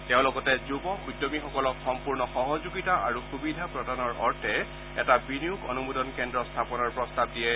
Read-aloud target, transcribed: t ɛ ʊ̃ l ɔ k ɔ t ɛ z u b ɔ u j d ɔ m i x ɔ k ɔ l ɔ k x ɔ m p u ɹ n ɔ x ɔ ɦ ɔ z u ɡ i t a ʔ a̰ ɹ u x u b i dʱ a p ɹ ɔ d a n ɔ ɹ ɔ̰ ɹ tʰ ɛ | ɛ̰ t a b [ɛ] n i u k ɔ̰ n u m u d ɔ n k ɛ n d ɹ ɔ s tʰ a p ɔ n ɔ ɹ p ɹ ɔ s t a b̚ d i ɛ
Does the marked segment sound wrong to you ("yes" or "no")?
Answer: yes